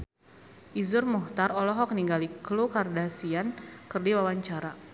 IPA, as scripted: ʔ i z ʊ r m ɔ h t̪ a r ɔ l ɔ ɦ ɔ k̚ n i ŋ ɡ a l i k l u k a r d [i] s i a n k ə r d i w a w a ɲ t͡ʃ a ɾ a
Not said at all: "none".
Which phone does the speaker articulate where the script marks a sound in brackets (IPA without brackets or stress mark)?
a